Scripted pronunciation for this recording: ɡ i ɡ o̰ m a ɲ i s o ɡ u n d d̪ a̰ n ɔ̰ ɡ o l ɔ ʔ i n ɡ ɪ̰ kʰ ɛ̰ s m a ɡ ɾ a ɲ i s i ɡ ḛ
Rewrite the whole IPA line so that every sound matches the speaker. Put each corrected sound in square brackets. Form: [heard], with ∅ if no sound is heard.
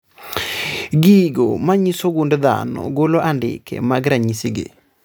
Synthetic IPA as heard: ɡ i ɡ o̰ m a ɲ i s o ɡ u n d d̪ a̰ n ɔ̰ ɡ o l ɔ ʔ [a] n [d] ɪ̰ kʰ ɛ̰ [∅] m a ɡ ɾ a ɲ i s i ɡ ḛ